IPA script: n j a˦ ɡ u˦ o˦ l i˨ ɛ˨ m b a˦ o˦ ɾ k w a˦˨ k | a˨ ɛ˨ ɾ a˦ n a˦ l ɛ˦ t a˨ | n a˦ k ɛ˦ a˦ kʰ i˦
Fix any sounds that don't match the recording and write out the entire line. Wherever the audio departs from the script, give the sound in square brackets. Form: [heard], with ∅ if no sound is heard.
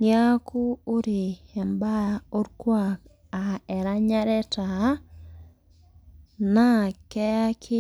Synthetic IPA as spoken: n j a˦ [k] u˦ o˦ [ɾ] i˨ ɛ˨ m b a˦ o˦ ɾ k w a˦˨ k | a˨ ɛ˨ ɾ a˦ [ɲ] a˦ [ɾ] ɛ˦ t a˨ | n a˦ k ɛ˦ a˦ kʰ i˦